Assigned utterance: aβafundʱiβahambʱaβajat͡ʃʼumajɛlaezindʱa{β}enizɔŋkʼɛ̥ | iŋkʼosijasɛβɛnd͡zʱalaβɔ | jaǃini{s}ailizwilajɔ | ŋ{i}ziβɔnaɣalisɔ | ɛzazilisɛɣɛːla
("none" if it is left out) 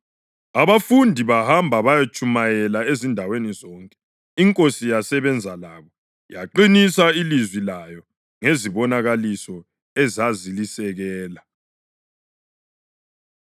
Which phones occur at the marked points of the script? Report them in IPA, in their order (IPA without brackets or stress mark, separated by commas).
w, s, e